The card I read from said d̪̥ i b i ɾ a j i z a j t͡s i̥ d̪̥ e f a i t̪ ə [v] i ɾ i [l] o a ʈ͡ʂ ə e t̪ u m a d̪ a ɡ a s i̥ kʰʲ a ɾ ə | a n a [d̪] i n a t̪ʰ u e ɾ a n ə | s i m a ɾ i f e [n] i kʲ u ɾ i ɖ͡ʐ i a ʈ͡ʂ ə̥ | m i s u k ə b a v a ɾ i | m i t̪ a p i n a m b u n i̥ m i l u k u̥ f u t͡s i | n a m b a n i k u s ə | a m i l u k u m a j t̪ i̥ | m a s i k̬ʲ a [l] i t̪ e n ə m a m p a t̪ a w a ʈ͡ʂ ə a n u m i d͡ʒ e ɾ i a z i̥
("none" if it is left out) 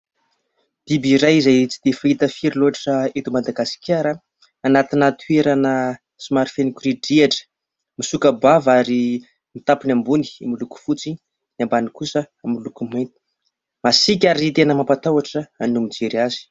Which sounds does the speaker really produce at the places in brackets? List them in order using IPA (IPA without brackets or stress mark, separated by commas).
f, l, t̪, n, ɾ